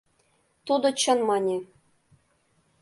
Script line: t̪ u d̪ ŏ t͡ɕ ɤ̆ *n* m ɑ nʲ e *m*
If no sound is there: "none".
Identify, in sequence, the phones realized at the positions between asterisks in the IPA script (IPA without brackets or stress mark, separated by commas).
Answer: n, none